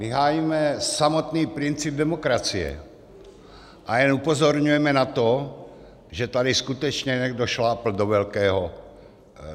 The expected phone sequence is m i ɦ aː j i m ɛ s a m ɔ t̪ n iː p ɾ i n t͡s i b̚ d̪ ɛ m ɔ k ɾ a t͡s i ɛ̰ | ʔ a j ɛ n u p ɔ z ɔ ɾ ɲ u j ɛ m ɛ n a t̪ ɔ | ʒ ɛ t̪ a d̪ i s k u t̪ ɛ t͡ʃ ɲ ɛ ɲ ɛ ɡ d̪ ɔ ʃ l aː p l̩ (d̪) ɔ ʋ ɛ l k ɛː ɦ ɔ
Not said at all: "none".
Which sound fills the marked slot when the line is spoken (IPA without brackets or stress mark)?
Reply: d̪